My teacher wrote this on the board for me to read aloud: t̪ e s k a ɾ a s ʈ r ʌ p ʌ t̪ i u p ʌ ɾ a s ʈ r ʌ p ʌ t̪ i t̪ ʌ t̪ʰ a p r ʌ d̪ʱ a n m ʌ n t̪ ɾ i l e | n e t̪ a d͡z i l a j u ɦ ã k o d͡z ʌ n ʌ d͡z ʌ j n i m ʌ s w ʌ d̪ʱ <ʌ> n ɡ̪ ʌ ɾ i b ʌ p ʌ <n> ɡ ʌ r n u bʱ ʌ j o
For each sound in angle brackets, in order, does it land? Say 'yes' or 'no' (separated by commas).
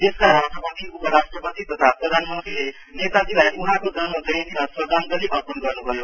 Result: no, yes